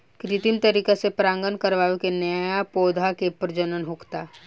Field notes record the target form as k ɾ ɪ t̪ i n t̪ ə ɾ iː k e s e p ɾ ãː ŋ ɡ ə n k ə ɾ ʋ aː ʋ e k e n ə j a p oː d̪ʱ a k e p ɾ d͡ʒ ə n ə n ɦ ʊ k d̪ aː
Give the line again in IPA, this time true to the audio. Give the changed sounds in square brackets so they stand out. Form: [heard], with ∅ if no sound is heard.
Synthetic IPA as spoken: k ɾ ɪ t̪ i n t̪ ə ɾ iː k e s e p ɾ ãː ŋ ɡ ə n k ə ɾ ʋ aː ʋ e k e n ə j a p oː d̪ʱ a k e p ɾ d͡ʒ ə n ə n ɦ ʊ k [t̪] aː